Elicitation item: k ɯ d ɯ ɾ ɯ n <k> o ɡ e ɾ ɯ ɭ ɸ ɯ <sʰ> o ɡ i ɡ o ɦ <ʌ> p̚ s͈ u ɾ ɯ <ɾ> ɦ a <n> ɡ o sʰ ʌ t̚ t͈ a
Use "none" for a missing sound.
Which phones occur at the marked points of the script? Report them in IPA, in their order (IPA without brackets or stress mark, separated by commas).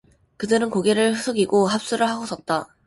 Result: k, sʰ, a, ɭ, none